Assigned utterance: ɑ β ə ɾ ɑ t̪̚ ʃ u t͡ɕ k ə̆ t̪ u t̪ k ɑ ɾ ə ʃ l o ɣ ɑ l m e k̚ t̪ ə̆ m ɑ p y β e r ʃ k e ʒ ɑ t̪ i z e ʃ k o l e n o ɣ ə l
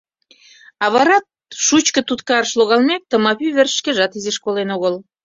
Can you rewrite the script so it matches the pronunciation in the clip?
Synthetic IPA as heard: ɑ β ɑ ɾ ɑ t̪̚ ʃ u t͡ɕ k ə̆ t̪ u t̪ k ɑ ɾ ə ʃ l o ɣ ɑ l m e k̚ t̪ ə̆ m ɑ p y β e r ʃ k e ʒ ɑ t̪ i z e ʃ k o l e n o ɣ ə l

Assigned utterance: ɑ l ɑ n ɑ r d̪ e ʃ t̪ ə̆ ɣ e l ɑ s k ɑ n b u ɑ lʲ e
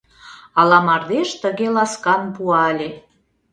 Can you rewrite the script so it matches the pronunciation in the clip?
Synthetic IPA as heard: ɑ l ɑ m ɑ r d̪ e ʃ t̪ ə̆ ɣ e l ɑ s k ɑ n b u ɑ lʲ e

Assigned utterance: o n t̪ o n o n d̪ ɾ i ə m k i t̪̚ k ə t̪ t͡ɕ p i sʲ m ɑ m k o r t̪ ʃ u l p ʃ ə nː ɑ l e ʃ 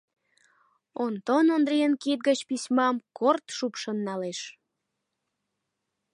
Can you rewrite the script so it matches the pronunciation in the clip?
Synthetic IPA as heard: o n t̪ o n o n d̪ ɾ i ə n k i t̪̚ ɡ ə t͡ɕ p i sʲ m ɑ m k o r t̪ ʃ u p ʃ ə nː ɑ l e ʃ

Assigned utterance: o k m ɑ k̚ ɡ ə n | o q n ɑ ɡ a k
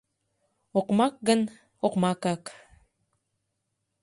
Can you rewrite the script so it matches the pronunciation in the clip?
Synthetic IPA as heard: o q m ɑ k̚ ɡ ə n | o q m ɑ k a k

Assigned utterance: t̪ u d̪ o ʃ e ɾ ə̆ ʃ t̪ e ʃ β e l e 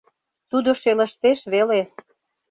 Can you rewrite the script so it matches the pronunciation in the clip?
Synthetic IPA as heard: t̪ u d̪ o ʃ e l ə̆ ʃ t̪ e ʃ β e l e

